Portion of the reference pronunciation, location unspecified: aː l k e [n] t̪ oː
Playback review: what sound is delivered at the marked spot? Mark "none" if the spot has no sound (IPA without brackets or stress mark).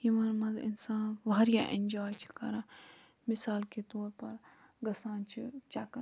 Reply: none